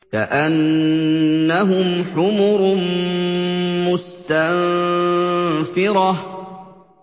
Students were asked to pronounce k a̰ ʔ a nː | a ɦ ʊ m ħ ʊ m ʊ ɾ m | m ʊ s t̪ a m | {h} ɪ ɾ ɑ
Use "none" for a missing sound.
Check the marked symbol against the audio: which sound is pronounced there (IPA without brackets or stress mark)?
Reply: f